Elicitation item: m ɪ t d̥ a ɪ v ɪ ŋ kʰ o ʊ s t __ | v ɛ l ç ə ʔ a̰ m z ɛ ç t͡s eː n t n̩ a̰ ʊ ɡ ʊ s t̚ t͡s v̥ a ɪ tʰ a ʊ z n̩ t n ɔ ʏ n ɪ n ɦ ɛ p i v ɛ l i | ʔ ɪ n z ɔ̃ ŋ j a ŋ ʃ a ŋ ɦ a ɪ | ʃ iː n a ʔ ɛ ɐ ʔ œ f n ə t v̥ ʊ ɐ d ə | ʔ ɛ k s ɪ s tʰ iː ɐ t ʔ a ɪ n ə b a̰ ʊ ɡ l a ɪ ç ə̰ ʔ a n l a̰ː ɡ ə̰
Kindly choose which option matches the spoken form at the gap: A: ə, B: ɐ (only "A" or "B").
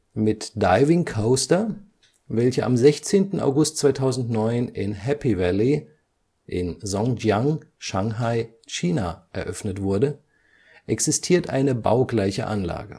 B